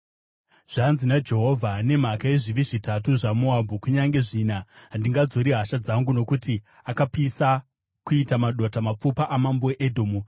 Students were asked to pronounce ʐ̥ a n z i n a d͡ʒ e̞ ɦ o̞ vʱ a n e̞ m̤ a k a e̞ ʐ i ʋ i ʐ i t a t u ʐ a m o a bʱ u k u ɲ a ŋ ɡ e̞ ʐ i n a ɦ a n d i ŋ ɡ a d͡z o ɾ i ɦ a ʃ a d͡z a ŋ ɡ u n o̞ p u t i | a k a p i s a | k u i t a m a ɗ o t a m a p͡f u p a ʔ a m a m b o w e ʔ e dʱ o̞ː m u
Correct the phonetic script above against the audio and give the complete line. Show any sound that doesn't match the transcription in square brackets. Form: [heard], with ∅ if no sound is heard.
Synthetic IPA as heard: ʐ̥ a n z i n a d͡ʒ e̞ ɦ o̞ vʱ a n e̞ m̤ a k a e̞ ʐ i ʋ i ʐ i t a t u ʐ a m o a bʱ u k u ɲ a ŋ ɡ e̞ ʐ i n a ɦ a n d i ŋ ɡ a d͡z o ɾ i ɦ a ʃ a d͡z a ŋ ɡ u n o̞ [k] u t i | a k a p i s a | k u i t a m a ɗ o t a m a p͡f u p a ʔ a m a m b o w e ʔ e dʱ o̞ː m u